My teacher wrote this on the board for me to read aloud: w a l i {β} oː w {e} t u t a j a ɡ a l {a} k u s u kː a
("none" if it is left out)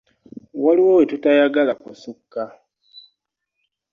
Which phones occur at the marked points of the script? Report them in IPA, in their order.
w, e, a

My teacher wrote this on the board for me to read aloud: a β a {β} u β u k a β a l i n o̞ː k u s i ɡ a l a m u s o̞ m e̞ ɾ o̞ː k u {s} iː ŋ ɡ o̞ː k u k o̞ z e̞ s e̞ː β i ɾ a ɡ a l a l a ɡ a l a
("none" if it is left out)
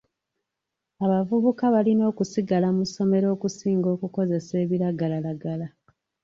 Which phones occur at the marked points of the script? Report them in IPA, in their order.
v, s

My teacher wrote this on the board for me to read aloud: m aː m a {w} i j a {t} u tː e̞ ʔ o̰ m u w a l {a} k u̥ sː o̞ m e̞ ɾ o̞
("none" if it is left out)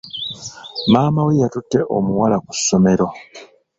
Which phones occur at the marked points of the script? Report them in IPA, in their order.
w, t, a

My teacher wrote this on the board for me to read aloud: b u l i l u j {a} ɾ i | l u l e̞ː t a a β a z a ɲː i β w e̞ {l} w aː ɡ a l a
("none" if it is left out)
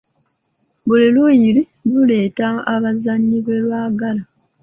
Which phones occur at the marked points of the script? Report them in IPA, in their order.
i, l

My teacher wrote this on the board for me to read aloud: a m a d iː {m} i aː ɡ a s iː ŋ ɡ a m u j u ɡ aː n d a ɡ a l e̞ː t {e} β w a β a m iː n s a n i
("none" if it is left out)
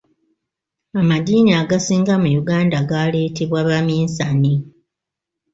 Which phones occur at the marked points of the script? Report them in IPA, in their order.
n, e

